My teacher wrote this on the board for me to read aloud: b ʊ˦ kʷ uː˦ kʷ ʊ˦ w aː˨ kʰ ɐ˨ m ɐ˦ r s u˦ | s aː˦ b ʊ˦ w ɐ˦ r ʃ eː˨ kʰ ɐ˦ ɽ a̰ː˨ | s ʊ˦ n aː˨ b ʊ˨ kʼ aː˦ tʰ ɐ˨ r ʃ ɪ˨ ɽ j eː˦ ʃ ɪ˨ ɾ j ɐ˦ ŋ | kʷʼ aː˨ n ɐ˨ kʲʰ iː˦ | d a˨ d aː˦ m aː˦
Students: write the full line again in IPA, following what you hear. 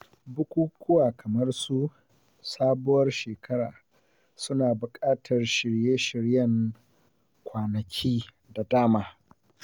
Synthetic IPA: b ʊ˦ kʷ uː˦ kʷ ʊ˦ w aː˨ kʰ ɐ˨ m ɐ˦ r s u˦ | s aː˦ b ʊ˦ w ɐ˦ r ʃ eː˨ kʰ ɐ˦ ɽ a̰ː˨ | s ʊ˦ n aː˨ b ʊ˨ kʼ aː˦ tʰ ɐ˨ r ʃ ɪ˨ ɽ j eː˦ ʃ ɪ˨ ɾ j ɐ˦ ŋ | kʷ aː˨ n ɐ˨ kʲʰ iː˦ | d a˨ d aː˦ m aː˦